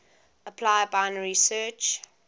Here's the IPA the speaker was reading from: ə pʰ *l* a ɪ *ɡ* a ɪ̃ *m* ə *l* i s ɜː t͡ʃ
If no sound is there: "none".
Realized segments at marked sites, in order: l, b, n, ɹ

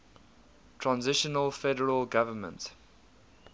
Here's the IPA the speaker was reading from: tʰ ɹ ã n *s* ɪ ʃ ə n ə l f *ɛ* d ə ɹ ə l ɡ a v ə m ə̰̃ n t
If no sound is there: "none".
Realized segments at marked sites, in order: z, ɛ

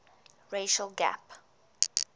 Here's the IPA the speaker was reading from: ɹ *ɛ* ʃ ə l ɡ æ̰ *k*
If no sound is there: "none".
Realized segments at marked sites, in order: e, p

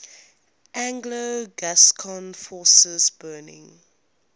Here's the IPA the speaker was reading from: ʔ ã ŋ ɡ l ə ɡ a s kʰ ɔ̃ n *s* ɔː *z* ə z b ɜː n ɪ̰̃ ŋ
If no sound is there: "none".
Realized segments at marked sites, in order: f, s

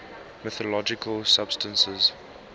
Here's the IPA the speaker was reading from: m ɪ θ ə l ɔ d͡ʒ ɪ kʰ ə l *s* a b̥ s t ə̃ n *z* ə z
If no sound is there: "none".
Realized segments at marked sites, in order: s, s

